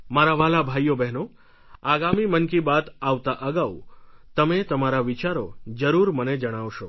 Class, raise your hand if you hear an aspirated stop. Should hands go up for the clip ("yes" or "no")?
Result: no